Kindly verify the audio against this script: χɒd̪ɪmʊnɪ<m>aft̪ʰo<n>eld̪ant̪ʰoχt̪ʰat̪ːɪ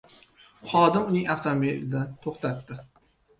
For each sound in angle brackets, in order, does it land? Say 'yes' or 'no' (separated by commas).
no, no